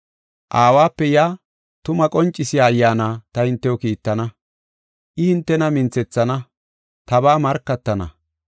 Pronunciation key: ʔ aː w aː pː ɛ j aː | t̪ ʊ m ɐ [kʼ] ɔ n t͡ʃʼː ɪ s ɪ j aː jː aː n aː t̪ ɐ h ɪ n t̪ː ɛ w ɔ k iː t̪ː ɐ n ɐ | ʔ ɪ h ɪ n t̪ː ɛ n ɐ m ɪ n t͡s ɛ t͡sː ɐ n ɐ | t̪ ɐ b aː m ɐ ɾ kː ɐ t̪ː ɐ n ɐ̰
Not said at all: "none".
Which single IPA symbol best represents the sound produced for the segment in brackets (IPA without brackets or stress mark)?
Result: kʼ